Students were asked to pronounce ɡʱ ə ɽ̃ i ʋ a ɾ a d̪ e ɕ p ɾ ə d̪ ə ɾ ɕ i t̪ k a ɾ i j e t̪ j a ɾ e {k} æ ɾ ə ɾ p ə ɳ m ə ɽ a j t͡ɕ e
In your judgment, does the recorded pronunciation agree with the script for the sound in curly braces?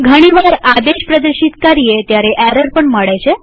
no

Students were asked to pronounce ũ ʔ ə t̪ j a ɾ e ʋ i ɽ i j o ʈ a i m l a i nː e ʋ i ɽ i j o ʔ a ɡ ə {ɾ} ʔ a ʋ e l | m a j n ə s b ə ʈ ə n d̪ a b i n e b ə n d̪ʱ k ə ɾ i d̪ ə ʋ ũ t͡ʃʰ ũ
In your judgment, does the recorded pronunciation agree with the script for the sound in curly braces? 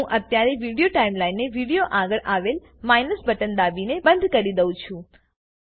no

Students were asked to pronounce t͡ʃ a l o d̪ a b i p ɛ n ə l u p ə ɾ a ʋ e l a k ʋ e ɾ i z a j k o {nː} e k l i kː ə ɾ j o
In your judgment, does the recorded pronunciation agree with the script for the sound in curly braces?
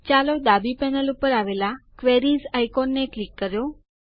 yes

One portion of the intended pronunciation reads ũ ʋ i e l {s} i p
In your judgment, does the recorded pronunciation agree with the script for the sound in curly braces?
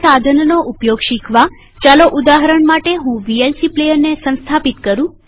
yes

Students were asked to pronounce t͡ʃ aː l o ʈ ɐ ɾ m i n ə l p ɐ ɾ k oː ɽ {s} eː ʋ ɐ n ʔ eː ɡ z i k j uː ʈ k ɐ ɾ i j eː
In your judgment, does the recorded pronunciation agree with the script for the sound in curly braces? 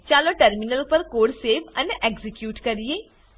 yes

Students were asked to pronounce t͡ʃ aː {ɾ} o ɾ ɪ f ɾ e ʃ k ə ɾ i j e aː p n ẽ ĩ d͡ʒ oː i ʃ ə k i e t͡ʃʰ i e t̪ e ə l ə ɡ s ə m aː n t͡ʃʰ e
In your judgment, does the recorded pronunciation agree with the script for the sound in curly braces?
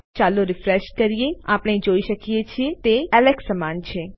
no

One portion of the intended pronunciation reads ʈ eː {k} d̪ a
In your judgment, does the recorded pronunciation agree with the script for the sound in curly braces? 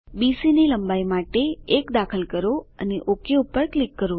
yes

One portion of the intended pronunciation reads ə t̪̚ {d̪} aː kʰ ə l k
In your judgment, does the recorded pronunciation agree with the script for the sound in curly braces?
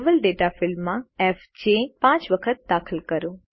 yes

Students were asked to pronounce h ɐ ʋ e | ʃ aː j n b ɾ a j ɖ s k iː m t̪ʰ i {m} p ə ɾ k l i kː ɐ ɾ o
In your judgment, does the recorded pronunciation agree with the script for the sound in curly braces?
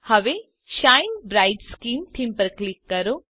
yes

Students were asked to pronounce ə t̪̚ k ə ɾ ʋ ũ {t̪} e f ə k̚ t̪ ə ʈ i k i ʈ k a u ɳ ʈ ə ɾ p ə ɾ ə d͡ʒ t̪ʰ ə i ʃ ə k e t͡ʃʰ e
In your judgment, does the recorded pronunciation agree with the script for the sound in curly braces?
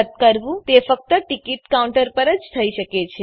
yes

